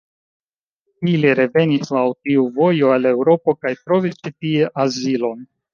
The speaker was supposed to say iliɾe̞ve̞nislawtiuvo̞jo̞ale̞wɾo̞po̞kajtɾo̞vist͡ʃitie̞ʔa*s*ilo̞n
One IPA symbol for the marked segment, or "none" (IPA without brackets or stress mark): z